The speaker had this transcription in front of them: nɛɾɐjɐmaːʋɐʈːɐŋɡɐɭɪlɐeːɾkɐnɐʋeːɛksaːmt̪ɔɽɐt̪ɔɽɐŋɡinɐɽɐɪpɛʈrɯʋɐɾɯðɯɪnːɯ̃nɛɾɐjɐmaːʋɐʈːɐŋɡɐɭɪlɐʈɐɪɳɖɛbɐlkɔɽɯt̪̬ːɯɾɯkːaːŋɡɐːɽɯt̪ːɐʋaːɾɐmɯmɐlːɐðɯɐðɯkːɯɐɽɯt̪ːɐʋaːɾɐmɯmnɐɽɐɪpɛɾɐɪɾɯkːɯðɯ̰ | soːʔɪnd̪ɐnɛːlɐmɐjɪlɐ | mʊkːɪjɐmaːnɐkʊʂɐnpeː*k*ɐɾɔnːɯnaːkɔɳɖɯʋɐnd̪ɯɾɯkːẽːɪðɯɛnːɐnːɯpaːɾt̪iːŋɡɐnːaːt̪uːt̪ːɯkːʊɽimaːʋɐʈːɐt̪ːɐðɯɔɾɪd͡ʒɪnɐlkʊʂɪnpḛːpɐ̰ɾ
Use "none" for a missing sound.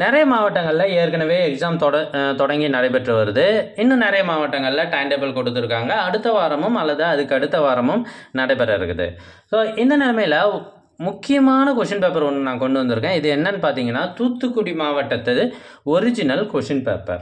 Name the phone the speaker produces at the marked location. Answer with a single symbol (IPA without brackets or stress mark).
p